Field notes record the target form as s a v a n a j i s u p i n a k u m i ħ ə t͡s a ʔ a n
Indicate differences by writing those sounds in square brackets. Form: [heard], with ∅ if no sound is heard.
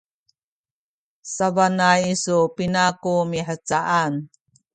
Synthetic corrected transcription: s a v a n a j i s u p i n a k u m i ħ ə t͡s a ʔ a n

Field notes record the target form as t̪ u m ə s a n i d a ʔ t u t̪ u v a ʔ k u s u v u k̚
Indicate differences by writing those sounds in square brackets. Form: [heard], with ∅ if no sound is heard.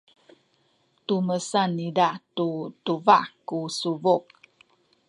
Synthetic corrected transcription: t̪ u m ə s a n i d a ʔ t u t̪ u v a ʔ k u s u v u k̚

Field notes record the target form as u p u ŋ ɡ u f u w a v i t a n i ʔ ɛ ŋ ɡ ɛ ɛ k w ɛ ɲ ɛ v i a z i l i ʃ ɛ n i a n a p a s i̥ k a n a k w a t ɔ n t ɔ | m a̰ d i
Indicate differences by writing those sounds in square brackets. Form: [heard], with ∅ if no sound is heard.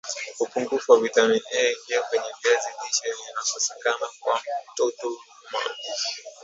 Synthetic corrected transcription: u p u ŋ ɡ u f u w a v i t a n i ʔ ɛ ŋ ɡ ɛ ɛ k w ɛ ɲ ɛ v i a z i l i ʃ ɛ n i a n a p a s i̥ k a n a k w a t ɔ [∅] t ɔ | m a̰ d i

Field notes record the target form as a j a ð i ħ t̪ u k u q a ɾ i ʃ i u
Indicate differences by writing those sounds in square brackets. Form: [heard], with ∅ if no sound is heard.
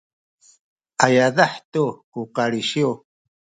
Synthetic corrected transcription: a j a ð [a] ħ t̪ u k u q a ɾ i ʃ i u

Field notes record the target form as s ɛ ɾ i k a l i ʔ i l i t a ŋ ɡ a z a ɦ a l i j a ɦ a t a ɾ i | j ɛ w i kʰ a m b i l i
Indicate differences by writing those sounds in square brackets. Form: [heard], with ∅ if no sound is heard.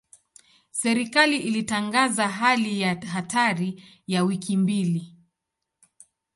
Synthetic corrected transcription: s ɛ ɾ i k a l i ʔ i l i t a ŋ ɡ a z a ɦ a l i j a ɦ a t a ɾ i | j [a] w i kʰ [i] m b i l i

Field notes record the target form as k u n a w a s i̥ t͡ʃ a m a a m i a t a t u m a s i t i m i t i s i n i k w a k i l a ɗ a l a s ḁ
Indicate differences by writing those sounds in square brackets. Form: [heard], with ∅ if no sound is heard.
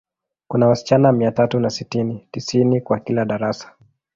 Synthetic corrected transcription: k u n a w a s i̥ t͡ʃ a [n] a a m i a t a t u [n] a s i t i [n] i t i s i n i k w a k i l a ɗ a [ɾ] a s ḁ

